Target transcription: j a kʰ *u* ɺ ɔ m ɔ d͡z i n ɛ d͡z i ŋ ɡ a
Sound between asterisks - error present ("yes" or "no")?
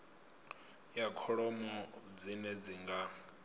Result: yes